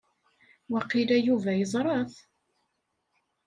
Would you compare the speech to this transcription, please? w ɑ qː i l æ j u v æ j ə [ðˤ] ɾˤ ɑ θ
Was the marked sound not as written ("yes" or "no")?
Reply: yes